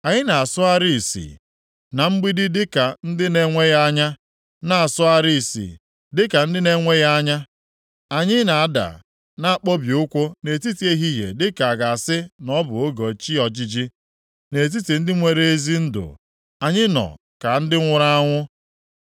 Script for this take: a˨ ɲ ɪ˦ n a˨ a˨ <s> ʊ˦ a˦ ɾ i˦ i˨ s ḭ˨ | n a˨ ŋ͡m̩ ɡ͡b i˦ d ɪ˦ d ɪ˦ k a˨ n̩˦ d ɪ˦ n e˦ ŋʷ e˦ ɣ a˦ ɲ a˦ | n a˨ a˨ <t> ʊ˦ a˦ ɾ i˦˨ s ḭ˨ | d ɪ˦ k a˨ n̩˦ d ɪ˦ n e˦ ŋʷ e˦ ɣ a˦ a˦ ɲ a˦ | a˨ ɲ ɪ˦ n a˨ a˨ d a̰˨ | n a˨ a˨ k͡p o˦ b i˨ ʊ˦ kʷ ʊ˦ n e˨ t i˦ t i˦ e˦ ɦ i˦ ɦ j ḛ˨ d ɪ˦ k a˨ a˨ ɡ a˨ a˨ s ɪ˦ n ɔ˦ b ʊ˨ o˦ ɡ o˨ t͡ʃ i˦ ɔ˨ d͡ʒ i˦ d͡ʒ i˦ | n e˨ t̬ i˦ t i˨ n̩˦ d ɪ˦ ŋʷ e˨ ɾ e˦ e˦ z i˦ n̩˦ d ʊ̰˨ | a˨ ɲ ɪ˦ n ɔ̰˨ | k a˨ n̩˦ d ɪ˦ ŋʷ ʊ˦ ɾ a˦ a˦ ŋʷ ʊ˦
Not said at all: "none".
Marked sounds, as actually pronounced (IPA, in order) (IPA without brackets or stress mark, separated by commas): s, s